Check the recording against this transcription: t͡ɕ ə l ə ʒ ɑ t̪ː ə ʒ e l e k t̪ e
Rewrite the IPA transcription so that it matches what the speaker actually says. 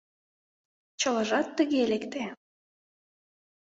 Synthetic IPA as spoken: t͡ɕ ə l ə ʒ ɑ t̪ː ə ɣ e l e k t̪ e